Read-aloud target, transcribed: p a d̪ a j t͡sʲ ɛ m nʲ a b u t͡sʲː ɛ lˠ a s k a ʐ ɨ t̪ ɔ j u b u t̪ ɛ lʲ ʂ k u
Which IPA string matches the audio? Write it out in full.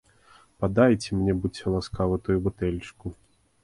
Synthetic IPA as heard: p a d̪ a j t͡sʲ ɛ m nʲ ɛ b u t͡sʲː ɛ lˠ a s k a v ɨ t̪ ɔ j u b u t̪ ɛ lʲ t͡ʂ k u